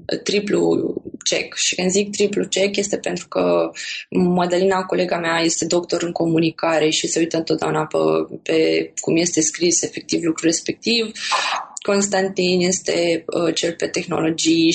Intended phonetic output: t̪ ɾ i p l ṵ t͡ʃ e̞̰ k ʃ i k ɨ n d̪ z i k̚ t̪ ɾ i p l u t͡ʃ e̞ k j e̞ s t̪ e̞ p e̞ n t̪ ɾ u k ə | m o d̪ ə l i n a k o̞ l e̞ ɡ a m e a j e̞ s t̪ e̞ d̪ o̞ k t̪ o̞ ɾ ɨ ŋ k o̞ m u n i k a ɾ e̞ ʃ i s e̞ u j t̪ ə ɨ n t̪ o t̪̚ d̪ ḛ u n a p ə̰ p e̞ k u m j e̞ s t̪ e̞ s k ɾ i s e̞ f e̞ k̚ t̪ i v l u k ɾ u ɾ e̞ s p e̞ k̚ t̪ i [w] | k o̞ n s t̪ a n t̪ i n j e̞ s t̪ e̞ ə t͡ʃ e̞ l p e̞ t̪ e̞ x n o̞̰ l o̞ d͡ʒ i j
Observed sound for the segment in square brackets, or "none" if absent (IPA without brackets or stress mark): v